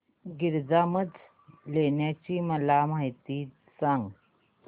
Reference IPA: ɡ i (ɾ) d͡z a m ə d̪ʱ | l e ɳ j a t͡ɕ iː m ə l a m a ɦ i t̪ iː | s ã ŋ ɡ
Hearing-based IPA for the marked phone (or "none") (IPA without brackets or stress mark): ɾ